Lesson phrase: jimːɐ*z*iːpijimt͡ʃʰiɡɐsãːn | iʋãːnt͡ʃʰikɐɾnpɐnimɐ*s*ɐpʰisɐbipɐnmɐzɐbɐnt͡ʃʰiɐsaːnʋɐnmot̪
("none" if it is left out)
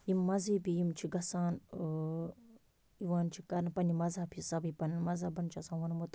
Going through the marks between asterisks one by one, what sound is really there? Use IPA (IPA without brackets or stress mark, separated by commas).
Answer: z, z